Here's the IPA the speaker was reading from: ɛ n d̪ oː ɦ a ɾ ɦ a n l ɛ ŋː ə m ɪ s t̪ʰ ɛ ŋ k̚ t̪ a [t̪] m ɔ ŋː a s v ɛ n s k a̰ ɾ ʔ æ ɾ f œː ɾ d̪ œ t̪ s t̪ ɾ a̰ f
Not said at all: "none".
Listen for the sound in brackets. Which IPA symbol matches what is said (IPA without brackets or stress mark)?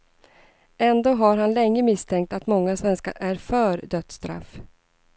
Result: t̪